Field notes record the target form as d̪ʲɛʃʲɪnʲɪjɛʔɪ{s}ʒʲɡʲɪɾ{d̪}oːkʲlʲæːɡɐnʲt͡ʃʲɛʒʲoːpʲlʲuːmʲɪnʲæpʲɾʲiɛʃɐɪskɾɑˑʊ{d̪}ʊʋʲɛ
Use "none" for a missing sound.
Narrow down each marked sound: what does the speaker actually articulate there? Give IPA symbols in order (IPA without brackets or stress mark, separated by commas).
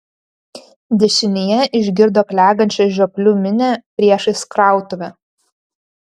none, d̪, t̪